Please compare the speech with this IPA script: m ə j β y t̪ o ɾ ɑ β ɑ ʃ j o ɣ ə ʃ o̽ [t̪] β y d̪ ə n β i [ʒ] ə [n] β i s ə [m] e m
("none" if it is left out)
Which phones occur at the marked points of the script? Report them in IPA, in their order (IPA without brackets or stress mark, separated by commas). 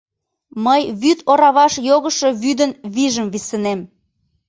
none, ʒ, m, n